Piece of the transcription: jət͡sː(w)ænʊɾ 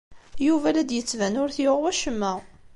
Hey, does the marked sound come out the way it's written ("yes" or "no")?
no